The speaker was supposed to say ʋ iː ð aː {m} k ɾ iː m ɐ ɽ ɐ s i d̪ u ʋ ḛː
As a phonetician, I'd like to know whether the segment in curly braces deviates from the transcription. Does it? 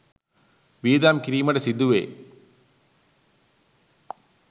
no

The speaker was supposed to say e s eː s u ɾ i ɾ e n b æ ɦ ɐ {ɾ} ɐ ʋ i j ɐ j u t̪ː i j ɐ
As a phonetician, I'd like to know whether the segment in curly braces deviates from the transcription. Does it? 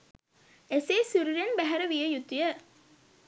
no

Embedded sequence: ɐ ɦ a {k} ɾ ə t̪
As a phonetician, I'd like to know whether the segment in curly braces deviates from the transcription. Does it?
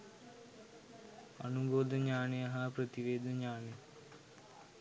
yes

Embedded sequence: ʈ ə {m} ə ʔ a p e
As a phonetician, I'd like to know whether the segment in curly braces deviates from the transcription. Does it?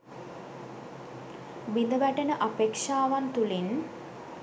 yes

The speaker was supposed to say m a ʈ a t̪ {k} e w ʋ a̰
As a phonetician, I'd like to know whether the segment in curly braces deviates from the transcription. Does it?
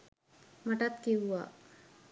no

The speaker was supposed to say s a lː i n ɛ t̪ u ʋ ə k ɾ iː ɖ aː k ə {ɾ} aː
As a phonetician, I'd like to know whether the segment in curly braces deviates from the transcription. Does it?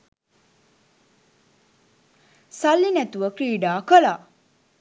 yes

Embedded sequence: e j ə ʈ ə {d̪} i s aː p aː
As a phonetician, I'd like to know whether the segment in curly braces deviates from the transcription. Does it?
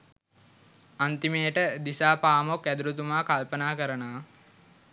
no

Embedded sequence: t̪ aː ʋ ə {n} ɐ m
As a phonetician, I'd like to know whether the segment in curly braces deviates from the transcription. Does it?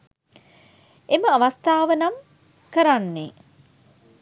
no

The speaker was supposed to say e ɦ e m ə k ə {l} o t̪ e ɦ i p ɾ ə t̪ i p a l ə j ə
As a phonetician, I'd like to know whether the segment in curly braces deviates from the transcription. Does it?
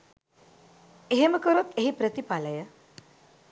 yes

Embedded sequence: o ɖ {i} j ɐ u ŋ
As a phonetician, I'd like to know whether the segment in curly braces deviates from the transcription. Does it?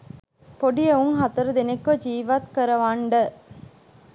no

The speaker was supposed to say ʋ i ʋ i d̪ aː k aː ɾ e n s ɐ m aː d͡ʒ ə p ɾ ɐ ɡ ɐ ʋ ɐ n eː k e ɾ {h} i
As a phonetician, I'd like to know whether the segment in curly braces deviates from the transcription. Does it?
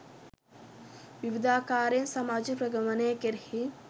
no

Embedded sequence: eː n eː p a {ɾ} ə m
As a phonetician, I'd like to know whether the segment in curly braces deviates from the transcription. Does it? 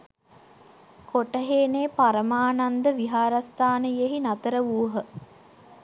no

